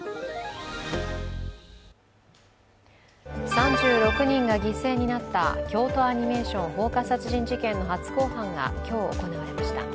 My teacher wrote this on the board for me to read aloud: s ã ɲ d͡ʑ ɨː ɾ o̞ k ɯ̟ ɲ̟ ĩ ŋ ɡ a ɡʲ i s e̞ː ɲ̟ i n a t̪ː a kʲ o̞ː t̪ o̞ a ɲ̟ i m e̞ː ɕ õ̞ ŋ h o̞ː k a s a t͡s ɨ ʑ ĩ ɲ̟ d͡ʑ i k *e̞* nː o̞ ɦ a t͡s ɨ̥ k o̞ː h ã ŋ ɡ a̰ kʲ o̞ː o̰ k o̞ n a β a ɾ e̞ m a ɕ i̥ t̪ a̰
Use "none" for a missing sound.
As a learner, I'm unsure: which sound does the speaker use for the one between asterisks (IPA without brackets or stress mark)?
ẽ̞